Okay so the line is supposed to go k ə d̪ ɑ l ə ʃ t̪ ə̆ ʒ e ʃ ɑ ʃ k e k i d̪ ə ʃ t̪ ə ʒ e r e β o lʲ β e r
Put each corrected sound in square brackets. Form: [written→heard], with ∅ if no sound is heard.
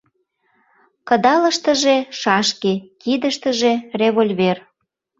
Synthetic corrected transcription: k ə d̪ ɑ l ə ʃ t̪ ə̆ ʒ e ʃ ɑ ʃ k e k i d̪ ə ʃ t̪ ə ʒ e r e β o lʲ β e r